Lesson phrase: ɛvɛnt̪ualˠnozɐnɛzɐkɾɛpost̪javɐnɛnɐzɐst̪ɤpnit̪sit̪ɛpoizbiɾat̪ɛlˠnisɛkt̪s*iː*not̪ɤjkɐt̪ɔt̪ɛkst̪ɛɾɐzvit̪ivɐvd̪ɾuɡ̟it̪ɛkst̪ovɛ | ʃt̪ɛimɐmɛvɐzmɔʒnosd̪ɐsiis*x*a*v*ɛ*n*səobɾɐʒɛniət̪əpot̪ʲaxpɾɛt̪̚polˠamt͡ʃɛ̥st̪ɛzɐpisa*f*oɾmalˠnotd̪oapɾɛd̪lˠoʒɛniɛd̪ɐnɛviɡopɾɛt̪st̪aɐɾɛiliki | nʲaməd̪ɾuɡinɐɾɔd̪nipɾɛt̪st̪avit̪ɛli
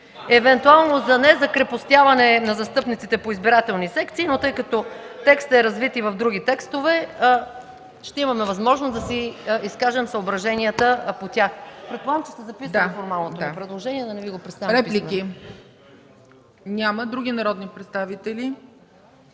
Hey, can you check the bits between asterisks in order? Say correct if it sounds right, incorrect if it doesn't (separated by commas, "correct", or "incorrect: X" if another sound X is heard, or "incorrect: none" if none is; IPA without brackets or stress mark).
correct, incorrect: k, incorrect: ʒ, incorrect: m, correct